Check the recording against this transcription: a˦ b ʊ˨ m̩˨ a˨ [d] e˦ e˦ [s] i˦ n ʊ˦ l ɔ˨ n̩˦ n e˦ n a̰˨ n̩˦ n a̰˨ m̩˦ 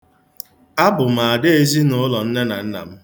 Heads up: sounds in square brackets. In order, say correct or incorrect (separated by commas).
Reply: correct, incorrect